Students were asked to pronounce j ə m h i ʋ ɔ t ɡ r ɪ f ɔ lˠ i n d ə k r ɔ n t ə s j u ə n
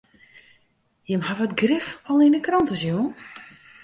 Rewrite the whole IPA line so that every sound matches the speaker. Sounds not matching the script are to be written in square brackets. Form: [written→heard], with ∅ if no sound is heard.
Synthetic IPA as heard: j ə m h [i→a] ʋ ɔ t ɡ r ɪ f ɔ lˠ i n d ə k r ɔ n t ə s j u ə n